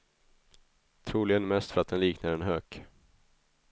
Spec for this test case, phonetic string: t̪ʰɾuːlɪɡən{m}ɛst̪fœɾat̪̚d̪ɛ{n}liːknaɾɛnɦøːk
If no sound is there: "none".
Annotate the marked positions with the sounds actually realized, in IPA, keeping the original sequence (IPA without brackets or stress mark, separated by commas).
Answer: m, n